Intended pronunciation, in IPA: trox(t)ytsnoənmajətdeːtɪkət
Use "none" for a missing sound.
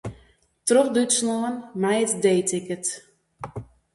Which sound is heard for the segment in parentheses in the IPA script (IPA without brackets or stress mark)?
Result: d